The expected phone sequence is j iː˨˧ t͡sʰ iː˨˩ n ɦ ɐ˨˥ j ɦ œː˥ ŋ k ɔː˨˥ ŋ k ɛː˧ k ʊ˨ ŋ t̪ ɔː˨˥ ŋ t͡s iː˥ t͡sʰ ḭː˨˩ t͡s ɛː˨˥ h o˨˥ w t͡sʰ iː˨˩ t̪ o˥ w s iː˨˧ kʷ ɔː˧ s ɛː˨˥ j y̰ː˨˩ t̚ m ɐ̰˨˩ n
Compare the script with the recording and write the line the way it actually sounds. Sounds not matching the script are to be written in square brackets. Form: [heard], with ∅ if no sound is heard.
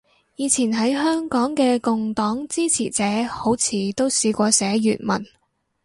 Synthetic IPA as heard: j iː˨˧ t͡sʰ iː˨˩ n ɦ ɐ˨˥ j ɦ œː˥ ŋ k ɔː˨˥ ŋ k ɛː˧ k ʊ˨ ŋ t̪ ɔː˨˥ ŋ t͡s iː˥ t͡sʰ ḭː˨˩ t͡s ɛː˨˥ h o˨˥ w t͡sʰ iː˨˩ t̪ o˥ w s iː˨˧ kʷ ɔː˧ s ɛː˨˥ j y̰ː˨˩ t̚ m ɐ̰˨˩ n